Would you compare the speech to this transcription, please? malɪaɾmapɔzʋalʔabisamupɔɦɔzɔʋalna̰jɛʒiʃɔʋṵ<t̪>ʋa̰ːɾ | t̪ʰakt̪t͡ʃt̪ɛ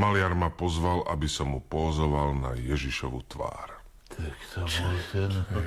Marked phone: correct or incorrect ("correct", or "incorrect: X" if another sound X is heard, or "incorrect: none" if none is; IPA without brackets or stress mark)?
correct